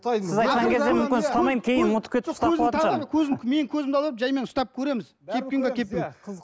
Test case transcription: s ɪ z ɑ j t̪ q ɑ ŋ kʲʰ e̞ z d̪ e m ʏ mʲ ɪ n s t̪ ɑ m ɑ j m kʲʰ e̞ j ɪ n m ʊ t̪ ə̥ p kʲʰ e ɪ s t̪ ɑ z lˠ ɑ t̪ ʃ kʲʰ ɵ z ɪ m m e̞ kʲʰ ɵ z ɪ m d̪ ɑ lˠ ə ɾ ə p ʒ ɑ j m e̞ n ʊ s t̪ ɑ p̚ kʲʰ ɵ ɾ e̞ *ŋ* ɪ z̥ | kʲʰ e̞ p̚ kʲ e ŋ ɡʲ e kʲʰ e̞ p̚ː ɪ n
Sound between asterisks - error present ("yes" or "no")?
yes